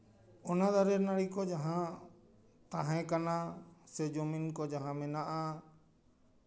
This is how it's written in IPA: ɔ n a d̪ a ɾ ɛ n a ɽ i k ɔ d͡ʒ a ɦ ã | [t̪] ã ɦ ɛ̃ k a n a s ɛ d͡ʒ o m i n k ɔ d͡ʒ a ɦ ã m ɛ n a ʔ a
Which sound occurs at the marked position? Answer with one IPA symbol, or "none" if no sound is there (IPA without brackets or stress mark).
t̪